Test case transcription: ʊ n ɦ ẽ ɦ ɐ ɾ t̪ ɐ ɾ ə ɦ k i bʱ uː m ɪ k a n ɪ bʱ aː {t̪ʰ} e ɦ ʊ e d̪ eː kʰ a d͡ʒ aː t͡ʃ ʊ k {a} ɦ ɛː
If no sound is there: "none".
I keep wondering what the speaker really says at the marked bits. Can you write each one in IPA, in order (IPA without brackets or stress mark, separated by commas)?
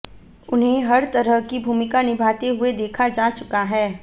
t̪, a